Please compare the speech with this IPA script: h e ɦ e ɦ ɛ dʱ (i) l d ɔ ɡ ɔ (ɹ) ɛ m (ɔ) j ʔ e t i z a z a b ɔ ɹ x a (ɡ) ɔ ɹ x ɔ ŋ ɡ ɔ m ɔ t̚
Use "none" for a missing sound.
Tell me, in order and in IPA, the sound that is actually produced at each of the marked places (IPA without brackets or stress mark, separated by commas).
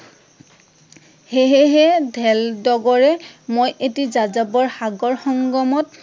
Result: ɛ, ɹ, o, ɡ